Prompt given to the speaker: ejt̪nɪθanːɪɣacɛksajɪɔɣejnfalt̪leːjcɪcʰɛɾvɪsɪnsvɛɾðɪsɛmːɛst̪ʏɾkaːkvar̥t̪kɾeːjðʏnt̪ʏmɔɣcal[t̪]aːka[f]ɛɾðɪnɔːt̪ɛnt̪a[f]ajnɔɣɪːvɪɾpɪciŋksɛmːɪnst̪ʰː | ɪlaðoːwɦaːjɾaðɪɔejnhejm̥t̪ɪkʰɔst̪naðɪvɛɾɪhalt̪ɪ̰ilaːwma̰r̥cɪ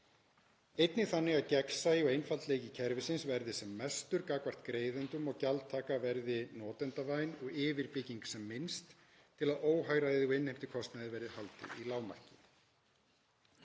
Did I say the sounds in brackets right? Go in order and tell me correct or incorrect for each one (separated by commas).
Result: incorrect, incorrect, incorrect